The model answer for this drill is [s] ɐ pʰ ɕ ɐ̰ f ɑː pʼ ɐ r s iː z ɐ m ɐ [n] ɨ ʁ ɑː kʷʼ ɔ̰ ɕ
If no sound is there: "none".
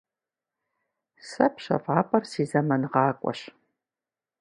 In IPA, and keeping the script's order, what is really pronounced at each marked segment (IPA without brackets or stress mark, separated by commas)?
s, n